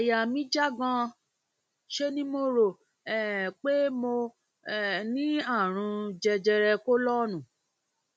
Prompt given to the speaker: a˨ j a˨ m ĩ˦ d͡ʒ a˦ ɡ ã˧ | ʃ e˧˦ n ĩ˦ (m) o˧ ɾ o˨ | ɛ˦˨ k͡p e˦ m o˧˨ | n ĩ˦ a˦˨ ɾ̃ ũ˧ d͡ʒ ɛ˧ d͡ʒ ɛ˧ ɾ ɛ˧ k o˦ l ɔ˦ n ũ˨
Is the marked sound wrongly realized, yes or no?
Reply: no